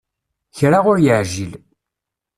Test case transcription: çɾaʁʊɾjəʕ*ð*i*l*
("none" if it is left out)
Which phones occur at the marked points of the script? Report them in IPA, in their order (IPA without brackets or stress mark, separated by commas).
ʒ, l